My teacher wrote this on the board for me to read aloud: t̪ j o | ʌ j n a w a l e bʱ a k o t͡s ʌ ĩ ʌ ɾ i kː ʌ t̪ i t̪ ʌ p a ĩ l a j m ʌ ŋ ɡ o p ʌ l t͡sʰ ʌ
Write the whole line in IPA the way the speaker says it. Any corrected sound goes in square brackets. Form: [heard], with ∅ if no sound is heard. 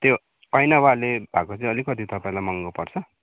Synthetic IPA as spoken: t̪ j o | ʌ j n a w a l e bʱ a k o t͡s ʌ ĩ ʌ [l] i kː ʌ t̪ i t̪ ʌ p a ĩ l a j m ʌ ŋ ɡ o p ʌ [r] t͡sʰ ʌ